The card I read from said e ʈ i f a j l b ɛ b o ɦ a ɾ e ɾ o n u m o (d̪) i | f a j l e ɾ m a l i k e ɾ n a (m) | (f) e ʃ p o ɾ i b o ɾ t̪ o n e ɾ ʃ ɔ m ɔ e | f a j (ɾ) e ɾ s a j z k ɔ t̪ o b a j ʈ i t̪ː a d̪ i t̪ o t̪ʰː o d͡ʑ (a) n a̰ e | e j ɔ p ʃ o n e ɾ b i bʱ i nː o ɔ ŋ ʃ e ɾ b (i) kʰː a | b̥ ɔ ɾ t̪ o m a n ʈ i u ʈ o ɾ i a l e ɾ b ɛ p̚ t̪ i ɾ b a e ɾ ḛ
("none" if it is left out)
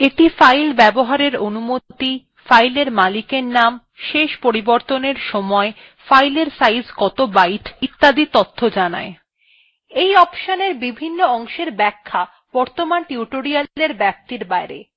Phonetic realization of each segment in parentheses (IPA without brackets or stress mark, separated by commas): t̪, m, ʃ, l, a, ɛ